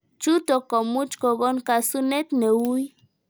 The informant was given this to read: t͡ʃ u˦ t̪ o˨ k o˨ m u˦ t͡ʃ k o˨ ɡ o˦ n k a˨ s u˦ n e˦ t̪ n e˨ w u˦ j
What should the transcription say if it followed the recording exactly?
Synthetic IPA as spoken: t͡ʃ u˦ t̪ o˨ k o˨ m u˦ t͡ʃ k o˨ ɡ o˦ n k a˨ s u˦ n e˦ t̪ n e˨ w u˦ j